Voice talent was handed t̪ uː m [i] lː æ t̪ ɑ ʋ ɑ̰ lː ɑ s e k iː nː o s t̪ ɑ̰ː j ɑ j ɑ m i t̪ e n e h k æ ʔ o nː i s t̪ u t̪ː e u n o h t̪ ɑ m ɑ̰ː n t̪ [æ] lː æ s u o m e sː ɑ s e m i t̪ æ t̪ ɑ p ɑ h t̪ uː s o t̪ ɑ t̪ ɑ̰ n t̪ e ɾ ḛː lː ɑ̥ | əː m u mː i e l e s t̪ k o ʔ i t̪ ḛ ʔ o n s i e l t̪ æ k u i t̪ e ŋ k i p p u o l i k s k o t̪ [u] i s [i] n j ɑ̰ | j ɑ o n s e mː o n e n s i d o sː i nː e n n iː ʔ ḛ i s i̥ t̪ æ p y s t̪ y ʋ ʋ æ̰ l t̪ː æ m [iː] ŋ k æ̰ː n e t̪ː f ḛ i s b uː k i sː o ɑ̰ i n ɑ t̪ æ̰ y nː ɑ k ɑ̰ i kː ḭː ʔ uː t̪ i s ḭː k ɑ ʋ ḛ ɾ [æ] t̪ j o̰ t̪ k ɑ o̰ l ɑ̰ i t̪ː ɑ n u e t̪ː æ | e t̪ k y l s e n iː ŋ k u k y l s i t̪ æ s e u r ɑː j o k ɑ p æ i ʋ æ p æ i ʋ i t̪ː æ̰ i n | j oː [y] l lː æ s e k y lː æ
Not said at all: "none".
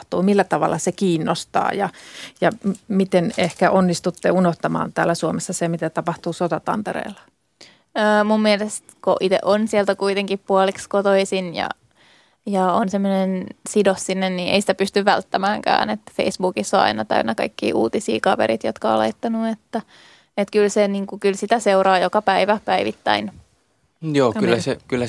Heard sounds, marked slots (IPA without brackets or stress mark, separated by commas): i, æː, o, i, æː, i, y